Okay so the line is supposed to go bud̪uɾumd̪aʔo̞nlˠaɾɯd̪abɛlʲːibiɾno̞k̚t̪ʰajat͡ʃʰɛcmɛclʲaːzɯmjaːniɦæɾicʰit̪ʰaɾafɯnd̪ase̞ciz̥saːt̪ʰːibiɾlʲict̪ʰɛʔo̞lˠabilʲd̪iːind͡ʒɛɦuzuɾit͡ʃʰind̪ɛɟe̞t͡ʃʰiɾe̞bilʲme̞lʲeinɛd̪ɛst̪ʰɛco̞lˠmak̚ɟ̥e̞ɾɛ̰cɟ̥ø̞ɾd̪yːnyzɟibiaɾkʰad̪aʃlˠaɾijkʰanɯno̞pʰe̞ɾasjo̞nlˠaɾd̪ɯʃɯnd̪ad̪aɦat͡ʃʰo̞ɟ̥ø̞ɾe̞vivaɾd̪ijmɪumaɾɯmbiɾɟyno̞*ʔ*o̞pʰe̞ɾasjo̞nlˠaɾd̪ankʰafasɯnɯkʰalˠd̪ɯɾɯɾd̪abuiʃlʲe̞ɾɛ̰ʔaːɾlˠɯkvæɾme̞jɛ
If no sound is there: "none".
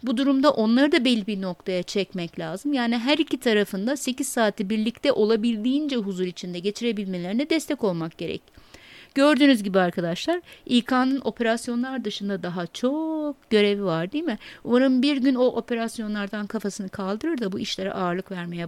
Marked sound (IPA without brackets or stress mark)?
ʔ